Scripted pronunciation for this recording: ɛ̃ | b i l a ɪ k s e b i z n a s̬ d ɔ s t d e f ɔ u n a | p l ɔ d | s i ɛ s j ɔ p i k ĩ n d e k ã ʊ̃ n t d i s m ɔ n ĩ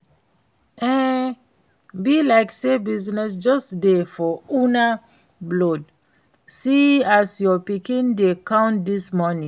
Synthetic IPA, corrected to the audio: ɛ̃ | b i l a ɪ k s e b i z n ɛ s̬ d͡ʒ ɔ s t d e f ɔ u n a | b l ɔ d | s i a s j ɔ p i k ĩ n d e k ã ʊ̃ n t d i s m ɔ n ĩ